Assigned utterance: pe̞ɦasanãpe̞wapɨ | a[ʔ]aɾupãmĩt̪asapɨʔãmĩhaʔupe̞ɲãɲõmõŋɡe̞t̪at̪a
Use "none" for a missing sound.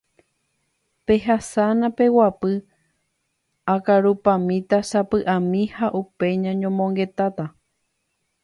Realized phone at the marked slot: k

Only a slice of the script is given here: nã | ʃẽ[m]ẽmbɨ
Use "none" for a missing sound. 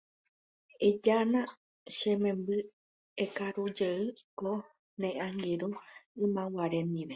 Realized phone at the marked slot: m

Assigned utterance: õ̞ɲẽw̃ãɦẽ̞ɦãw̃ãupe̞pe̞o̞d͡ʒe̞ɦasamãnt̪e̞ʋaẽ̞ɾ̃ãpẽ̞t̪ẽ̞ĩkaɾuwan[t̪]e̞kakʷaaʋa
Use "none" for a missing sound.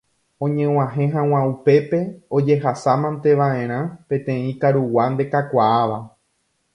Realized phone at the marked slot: d̪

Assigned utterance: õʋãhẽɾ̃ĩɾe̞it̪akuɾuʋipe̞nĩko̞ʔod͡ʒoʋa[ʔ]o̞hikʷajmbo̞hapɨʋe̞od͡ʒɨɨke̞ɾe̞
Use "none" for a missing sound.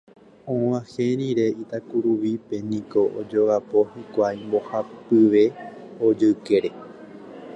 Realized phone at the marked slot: p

